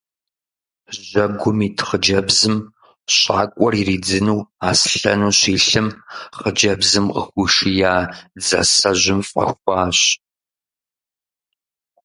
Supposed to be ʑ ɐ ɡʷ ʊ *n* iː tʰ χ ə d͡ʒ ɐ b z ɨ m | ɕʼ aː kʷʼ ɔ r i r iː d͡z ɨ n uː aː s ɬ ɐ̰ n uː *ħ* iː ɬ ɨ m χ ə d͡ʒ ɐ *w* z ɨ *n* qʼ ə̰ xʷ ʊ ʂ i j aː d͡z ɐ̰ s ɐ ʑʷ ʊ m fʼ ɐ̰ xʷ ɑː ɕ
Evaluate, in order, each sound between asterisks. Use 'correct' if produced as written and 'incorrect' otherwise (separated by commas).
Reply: incorrect, incorrect, incorrect, incorrect